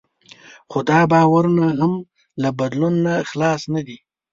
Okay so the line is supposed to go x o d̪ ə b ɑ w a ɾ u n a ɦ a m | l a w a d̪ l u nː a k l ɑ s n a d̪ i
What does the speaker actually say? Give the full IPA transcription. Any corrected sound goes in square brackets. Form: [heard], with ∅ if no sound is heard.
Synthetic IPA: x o d̪ [ɑ] b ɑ w a ɾ u n a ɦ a m | l a [b] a d̪ l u nː a [x] l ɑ s n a d̪ i